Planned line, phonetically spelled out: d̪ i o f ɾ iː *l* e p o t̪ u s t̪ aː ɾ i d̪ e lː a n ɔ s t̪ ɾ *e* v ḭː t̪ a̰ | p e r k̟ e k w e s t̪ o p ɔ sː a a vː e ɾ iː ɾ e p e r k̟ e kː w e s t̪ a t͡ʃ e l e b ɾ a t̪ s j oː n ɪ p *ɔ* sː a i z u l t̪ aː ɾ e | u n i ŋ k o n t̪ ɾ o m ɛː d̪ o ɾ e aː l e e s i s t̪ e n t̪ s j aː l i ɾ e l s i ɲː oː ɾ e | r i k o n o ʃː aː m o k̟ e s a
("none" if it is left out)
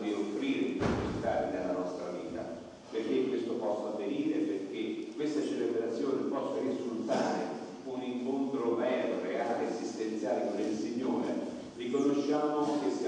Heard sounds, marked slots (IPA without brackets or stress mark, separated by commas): ɾ, a, ɔ